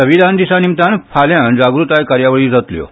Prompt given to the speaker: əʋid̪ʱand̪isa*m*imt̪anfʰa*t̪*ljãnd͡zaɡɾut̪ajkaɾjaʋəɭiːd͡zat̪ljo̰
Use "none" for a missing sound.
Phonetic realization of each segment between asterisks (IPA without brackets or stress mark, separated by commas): n, none